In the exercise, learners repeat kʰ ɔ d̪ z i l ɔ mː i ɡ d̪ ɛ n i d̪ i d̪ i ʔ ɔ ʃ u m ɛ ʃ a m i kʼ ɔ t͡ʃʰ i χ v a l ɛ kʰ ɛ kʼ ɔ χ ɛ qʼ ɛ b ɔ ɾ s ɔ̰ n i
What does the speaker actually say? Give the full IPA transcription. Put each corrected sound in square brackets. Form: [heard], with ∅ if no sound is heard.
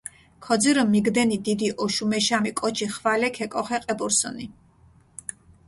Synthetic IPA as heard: kʰ ɔ d̪ z i [ɾ] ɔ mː i ɡ d̪ ɛ n i d̪ i d̪ i ʔ ɔ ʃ u m ɛ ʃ a m i kʼ ɔ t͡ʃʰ i χ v a l ɛ kʰ ɛ kʼ ɔ χ ɛ qʼ ɛ b ɔ ɾ s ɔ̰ n i